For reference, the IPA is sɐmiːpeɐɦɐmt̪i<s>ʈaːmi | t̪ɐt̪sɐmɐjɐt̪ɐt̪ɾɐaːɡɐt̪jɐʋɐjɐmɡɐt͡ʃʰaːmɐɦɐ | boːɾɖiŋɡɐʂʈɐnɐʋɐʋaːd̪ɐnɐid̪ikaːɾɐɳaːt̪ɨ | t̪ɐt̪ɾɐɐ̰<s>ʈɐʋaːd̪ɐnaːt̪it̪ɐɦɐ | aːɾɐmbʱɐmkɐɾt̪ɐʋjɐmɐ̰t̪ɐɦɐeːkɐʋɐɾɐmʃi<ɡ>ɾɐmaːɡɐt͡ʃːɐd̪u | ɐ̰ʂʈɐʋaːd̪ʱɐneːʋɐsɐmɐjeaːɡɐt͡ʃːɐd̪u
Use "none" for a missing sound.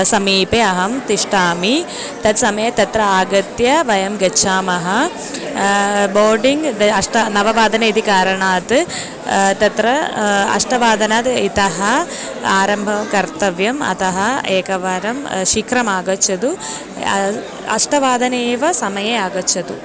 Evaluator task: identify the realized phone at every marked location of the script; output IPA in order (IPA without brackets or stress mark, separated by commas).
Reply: ʂ, ʂ, k